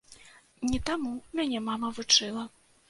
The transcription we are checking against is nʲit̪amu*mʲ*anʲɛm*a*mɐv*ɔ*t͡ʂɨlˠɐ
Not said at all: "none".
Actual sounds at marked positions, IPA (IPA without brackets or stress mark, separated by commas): mʲ, a, u